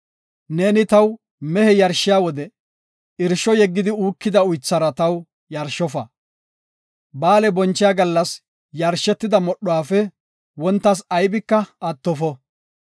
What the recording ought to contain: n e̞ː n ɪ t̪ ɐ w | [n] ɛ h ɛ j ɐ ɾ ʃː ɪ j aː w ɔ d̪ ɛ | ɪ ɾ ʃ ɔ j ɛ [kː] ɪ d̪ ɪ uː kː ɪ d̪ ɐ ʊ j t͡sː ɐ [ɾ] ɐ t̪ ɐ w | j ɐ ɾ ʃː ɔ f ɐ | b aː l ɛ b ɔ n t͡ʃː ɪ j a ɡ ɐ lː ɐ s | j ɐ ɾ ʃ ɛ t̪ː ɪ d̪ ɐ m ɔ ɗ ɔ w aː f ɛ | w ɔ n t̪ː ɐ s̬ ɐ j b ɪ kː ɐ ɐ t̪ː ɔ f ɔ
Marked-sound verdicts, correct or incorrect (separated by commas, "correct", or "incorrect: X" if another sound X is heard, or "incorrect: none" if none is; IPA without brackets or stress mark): incorrect: m, incorrect: ɡː, correct